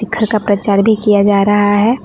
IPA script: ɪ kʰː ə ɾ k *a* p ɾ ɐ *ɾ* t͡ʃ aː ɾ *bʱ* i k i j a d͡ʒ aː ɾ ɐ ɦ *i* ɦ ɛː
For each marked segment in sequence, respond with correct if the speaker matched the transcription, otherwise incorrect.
correct, incorrect: none, correct, incorrect: a

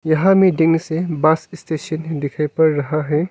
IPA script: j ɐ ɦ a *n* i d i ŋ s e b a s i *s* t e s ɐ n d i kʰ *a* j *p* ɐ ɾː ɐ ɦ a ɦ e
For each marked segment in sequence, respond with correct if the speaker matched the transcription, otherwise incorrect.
incorrect: m, correct, correct, correct

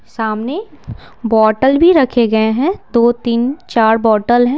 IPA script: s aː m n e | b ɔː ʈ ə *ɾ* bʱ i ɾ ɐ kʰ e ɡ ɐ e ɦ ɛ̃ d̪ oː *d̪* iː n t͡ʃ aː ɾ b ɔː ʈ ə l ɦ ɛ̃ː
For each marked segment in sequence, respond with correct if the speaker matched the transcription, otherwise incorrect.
incorrect: l, incorrect: t̪

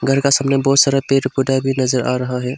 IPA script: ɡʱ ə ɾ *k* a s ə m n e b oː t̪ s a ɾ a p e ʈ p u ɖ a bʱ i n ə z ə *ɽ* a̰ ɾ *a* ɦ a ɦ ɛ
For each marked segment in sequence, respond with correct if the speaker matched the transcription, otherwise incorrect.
correct, incorrect: ɾ, incorrect: ə

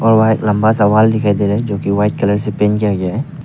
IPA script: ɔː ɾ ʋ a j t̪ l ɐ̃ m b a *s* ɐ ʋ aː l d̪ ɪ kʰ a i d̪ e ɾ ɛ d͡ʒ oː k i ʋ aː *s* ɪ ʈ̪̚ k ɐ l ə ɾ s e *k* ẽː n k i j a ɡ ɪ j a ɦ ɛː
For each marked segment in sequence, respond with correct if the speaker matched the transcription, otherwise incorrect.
correct, incorrect: none, incorrect: p

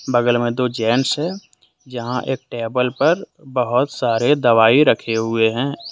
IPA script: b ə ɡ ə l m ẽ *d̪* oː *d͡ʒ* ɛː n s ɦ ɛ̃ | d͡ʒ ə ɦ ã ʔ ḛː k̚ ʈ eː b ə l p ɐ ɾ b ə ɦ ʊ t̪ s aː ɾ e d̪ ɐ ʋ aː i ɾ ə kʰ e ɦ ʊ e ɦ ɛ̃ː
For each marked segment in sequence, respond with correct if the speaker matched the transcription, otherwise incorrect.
correct, correct

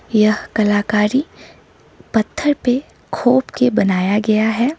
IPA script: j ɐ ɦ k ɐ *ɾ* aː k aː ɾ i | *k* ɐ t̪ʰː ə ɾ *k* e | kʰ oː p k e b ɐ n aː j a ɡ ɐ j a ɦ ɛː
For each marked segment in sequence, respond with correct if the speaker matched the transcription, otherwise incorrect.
incorrect: l, incorrect: p, incorrect: p

